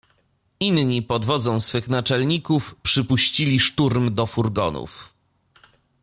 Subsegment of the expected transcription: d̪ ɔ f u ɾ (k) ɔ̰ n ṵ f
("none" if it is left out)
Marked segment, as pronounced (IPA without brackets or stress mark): ɡ